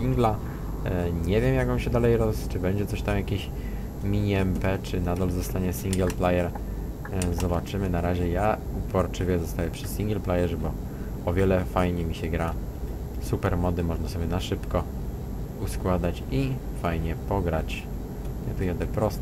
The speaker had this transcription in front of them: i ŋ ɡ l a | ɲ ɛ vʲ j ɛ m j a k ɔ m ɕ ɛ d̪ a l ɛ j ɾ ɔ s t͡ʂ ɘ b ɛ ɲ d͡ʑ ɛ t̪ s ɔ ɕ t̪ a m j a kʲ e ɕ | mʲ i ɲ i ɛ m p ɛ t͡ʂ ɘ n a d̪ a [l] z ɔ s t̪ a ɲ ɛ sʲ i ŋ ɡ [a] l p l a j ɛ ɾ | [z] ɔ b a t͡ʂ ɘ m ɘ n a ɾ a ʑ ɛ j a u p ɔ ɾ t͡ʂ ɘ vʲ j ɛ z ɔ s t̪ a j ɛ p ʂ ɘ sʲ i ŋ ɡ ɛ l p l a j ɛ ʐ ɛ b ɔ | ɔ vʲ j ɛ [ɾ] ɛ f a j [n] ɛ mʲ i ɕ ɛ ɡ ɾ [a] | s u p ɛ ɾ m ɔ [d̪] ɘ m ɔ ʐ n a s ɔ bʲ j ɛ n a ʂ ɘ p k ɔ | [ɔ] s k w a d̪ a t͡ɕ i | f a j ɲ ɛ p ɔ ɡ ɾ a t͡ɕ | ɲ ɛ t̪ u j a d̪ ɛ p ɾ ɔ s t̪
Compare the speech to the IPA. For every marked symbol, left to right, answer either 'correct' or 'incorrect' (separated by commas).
correct, incorrect, correct, incorrect, incorrect, correct, correct, incorrect